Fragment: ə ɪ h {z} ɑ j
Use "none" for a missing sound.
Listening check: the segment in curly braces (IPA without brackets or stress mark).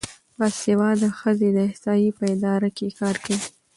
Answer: s